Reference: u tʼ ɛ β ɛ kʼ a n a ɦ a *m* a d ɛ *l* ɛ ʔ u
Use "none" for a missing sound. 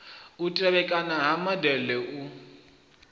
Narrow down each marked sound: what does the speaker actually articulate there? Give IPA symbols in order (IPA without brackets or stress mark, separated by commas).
m, l